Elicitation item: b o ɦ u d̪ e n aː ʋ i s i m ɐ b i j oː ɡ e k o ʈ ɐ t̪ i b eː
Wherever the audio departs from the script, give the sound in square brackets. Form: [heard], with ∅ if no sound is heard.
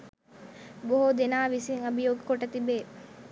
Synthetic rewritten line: b o ɦ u d̪ e n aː ʋ i s i [ŋ] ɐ b i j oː ɡ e k o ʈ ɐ t̪ i b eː